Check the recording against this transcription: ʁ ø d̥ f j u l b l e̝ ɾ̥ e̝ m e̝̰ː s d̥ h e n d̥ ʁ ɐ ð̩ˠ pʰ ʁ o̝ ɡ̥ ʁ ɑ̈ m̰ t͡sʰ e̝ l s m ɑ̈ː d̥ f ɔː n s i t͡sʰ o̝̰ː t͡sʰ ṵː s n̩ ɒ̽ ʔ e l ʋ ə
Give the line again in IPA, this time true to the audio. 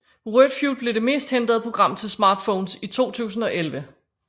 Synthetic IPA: ʁ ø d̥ f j u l b l e̝ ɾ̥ e̝ m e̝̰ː s d̥ h e n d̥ ʁ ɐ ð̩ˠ pʰ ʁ o̝ ɡ̥ ʁ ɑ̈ m̰ t͡sʰ e̝ l s m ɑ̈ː d̥ f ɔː n s i t͡sʰ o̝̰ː t͡sʰ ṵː s n̩ ɒ̽ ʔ e l ʋ ə

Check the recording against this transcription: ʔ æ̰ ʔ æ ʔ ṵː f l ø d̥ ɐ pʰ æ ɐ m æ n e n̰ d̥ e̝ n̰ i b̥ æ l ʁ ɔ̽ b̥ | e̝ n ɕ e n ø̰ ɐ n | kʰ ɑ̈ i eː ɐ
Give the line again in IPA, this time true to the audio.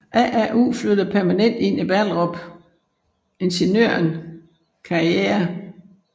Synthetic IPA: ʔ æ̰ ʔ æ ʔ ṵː f l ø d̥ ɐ pʰ æ ɐ m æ n e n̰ d̥ e̝ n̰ i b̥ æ l ʁ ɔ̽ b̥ | e̝ n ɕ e n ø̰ ɐ n | kʰ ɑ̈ i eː ɐ

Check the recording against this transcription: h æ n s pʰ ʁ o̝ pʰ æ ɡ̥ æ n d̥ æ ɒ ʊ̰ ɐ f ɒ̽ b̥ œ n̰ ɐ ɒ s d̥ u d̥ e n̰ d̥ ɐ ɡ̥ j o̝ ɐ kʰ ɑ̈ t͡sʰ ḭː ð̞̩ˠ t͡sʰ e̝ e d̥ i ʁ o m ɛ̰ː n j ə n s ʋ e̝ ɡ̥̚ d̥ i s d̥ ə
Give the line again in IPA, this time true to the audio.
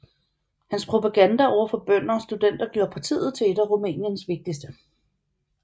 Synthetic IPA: h æ n s pʰ ʁ o̝ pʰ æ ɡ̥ æ n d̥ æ ɒ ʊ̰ ɐ f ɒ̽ b̥ œ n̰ ɐ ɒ s d̥ u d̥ e n̰ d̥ ɐ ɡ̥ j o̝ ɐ pʰ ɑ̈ t͡sʰ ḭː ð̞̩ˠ t͡sʰ e̝ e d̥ æ ʁ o m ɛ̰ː n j ə n s ʋ e̝ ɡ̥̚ d̥ i s d̥ ə

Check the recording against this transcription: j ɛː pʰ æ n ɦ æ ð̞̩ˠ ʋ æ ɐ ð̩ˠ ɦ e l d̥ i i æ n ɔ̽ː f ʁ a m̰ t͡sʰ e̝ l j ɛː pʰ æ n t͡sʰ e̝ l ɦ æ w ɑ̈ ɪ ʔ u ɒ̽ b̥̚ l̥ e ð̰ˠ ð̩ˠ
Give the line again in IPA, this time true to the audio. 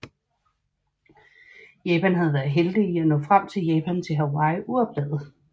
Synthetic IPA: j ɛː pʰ æ n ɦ æ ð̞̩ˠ ʋ æ ɐ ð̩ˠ ɦ e l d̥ i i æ n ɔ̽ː f ʁ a m̰ t͡sʰ e̝ l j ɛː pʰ æ n t͡sʰ e̝ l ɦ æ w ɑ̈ ɪ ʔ u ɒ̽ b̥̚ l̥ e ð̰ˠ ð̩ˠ

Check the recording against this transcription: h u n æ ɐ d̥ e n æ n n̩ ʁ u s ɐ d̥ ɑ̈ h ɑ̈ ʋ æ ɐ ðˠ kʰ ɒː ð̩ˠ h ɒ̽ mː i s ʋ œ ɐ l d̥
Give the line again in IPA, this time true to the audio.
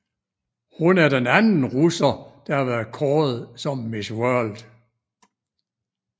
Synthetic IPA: h u n æ ɐ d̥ e n æ n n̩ ʁ u s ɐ d̥ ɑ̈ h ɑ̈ ʋ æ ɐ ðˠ kʰ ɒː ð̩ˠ s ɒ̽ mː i s w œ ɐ l d̥

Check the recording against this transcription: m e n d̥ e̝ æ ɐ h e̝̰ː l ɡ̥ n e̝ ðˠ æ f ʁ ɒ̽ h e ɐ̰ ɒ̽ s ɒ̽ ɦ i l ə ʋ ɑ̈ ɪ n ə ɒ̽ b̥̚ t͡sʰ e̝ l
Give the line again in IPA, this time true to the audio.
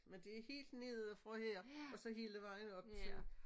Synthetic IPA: m e n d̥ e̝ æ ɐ h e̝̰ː l d̥ n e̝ ðˠ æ f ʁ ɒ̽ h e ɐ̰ ɒ̽ s ɒ̽ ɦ i l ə ʋ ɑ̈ ɪ n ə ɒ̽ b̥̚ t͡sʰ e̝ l

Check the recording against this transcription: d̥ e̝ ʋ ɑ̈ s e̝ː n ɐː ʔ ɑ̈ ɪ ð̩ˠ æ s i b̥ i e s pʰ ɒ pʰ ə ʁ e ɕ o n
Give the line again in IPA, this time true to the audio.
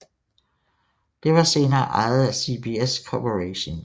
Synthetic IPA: d̥ e̝ ʋ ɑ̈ s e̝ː n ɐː ʔ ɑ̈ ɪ ð̩ˠ æ s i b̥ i e s kʰ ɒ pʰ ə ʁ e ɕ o n

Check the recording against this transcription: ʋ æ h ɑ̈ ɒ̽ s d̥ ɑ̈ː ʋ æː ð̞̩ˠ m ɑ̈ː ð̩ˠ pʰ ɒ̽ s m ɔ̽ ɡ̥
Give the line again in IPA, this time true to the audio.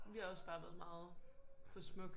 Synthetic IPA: ʋ i h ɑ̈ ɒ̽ s b̥ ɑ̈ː ʋ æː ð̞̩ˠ m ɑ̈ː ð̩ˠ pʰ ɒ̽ s m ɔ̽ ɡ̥

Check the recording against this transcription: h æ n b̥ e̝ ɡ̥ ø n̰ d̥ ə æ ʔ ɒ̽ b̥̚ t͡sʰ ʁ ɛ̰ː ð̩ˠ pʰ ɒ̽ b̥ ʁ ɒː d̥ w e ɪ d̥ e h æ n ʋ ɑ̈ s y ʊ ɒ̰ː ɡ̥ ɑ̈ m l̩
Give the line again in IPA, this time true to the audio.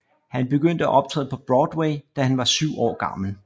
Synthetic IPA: h æ n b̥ e̝ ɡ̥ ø n̰ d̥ ə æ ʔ ɒ̽ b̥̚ t͡sʰ ʁ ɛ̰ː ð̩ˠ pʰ ɒ̽ b̥ ʁ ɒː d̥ w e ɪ d̥ æ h æ n ʋ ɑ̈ s y ʊ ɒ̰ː ɡ̥ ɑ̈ m l̩

